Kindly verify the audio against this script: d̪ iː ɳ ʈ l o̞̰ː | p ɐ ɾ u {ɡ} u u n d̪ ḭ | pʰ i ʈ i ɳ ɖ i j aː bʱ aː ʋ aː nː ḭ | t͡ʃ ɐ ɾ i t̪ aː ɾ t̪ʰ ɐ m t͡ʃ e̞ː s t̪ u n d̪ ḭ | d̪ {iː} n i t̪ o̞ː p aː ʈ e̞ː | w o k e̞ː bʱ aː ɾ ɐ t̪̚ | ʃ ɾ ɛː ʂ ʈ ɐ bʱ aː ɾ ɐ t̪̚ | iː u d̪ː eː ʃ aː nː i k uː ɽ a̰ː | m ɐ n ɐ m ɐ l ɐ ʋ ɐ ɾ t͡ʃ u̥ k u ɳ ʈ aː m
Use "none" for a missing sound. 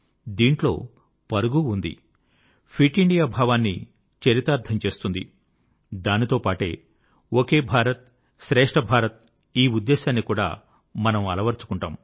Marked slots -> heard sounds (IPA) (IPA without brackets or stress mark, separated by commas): ɡ, aː